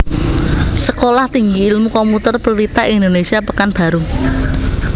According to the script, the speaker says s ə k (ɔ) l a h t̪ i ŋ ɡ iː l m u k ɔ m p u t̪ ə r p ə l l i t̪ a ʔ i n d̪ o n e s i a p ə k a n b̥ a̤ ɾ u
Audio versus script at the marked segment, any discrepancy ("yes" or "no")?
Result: yes